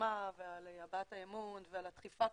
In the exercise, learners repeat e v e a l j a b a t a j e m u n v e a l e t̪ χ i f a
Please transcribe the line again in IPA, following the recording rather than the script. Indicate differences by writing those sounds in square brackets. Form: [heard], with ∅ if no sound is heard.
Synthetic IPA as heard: [a] v e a l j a b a t a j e m u n v e a l [a] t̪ χ i f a